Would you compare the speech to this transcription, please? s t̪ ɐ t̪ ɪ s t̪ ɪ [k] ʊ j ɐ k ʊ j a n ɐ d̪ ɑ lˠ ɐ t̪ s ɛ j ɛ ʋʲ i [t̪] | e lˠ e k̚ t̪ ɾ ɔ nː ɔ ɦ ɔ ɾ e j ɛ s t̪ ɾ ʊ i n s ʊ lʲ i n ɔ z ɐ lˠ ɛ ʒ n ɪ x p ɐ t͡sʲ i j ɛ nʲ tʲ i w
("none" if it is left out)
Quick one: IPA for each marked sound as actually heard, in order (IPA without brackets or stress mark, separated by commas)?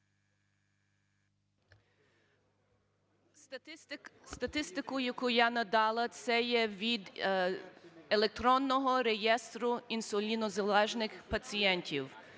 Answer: k, d̪